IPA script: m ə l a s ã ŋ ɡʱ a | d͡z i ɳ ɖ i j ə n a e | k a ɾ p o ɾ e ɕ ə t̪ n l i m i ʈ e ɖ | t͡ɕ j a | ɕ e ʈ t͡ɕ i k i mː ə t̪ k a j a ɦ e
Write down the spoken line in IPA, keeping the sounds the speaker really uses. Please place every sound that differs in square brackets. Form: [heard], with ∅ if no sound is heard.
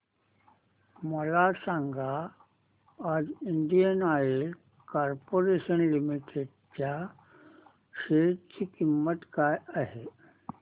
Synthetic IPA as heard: m ə l a s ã ŋ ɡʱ a | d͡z i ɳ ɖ i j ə n a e | k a ɾ p o ɾ e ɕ ə [∅] n l i m i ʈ e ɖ | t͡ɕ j a | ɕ e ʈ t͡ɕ i k i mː ə t̪ k a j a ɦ e